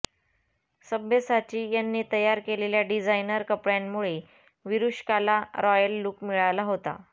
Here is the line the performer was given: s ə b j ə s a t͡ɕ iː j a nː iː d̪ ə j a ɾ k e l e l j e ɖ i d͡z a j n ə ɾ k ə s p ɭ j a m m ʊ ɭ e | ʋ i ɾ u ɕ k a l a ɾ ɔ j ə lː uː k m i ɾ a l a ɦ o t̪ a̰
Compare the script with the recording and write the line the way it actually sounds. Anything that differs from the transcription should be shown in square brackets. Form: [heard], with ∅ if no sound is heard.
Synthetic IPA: s ə b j ə s a t͡ɕ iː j a nː iː [t̪] ə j a ɾ k e l e l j [a] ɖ i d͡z a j n ə ɾ k ə [∅] p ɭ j a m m [u] ɭ e | ʋ i ɾ u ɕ k a l a ɾ ɔ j ə lː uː k m i [ɭ] a l a ɦ o t̪ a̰